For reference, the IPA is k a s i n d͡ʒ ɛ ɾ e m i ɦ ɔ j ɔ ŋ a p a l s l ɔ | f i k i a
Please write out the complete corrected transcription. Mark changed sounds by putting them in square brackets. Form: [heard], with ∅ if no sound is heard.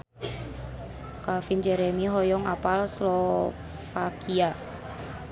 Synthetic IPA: k a [f] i n d͡ʒ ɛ ɾ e m i ɦ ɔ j ɔ ŋ a p a l s l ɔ | f [a] k i a